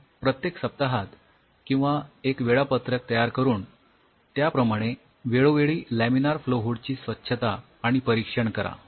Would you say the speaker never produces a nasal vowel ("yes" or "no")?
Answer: no